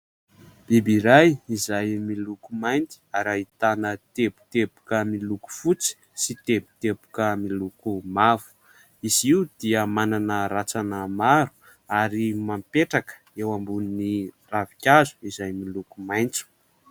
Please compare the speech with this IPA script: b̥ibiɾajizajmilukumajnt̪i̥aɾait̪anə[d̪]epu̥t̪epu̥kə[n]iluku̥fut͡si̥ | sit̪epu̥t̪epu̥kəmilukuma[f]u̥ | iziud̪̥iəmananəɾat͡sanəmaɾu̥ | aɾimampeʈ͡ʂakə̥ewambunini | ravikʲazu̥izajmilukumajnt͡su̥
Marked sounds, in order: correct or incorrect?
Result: incorrect, incorrect, incorrect

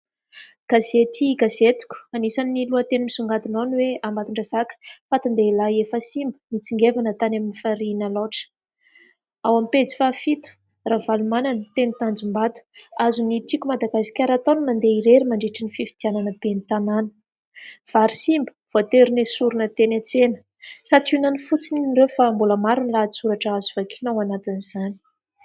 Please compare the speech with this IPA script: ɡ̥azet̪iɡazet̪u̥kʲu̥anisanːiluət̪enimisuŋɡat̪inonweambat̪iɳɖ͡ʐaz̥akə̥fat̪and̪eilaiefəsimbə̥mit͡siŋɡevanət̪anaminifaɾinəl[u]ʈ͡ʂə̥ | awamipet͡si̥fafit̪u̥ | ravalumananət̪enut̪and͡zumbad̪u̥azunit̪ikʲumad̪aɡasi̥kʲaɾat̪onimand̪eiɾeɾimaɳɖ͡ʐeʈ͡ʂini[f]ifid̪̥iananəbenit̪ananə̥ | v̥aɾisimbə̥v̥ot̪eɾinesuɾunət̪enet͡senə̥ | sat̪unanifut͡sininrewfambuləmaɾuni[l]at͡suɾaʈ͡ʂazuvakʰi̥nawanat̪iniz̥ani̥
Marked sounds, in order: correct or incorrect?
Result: incorrect, correct, correct

